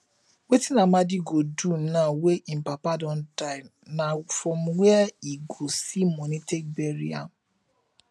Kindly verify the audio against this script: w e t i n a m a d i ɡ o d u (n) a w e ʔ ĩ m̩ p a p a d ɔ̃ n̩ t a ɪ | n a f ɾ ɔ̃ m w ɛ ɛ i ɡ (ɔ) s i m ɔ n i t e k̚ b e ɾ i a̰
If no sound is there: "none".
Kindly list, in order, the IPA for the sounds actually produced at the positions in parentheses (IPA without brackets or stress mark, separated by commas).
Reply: n, o